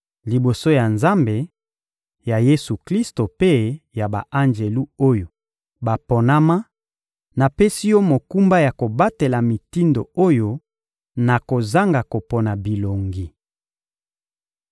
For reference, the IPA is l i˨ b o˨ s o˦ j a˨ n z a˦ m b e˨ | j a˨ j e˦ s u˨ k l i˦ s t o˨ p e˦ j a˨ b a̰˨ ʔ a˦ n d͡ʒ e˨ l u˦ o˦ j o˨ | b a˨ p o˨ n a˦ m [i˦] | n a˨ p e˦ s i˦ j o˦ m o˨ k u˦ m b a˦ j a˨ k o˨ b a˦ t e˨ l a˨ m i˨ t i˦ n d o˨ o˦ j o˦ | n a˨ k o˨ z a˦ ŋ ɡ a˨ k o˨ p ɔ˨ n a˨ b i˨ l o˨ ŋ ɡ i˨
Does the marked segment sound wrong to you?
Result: yes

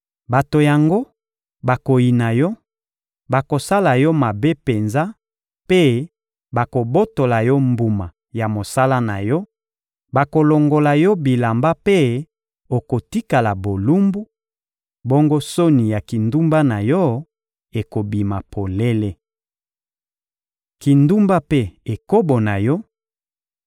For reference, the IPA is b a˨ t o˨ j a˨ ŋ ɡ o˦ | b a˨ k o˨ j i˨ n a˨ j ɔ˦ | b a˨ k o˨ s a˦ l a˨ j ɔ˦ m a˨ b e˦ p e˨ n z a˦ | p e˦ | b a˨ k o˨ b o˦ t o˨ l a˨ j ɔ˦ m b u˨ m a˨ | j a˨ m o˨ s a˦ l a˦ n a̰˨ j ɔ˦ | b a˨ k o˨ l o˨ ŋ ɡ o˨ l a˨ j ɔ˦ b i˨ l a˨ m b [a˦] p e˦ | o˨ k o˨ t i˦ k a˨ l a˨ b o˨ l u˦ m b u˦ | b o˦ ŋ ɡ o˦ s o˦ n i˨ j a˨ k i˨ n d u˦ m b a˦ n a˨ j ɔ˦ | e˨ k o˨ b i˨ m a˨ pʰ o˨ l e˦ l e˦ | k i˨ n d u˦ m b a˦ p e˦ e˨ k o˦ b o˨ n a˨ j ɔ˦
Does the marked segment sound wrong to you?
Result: no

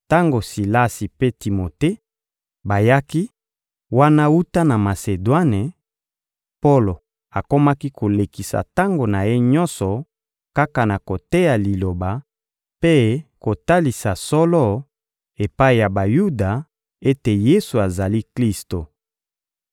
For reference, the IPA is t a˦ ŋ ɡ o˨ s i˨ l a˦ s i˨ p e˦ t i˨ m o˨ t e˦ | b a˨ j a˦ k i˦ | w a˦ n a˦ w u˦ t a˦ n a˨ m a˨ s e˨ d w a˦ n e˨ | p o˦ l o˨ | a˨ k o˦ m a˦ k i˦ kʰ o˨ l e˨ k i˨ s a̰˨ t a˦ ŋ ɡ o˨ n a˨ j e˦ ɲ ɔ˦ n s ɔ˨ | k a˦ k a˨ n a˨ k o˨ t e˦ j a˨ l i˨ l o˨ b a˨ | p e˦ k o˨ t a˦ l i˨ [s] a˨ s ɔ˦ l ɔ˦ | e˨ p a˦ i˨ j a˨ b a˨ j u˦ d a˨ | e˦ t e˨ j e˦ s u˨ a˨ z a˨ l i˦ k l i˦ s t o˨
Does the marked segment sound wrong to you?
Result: no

